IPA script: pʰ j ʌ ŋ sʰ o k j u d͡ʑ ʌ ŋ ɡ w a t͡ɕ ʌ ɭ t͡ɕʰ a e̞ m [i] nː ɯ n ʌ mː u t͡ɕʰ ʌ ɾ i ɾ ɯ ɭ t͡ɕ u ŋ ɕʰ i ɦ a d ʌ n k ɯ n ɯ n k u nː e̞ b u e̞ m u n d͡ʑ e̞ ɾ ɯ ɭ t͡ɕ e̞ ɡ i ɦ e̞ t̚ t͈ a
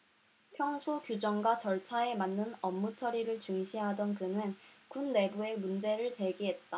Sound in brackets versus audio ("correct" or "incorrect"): incorrect